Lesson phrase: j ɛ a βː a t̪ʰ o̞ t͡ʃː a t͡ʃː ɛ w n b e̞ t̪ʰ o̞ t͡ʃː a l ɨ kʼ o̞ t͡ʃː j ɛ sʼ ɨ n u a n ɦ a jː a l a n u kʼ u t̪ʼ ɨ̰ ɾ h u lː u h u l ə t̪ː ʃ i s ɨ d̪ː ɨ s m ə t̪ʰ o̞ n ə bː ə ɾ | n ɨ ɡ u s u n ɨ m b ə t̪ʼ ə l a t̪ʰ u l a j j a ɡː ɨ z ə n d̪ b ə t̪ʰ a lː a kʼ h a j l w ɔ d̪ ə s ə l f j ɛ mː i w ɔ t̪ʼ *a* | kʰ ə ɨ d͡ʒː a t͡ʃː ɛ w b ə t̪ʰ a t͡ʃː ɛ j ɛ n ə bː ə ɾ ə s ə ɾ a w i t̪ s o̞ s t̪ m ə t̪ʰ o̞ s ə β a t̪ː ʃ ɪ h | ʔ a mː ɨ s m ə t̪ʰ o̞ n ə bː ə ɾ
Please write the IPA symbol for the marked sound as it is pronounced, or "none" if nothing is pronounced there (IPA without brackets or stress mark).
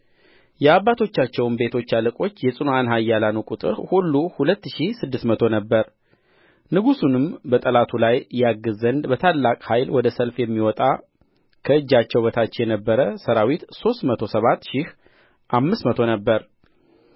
a